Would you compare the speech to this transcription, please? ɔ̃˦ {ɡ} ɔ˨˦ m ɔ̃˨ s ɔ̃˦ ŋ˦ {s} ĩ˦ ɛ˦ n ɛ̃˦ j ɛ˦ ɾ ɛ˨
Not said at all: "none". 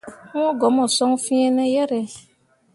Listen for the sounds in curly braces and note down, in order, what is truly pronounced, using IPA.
ɡ, f

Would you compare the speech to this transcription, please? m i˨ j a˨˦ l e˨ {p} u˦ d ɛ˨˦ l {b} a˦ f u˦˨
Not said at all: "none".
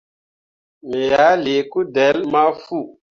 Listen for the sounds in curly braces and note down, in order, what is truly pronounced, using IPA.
k, m

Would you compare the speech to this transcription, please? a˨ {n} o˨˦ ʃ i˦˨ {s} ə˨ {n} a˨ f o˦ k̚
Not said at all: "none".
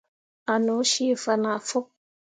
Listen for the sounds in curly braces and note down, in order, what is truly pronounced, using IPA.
n, f, n

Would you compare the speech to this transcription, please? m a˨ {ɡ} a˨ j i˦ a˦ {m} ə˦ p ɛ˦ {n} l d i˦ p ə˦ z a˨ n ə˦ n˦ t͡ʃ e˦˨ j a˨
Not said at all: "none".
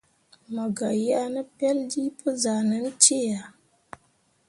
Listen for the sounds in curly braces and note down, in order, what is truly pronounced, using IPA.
ɡ, n, none

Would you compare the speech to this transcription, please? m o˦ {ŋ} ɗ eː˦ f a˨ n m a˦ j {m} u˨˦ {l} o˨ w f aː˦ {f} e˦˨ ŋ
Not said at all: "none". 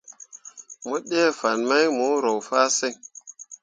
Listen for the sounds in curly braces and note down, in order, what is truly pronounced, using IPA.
none, m, ɾ, s

